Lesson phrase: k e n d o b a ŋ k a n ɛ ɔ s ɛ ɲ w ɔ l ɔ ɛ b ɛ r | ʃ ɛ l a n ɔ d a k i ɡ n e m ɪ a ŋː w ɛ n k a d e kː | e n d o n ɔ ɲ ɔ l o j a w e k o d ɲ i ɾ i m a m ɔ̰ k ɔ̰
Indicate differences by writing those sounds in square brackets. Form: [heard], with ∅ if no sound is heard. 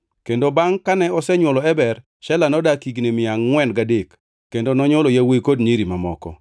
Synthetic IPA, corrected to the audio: k e n d o b a ŋ k a n ɛ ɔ s ɛ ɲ w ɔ l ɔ ɛ b ɛ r | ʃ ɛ l a n ɔ d a k i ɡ n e m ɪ a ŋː w ɛ n [ɡ] a d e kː | e n d o n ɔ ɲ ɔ l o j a w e k o d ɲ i ɾ i m a m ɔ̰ k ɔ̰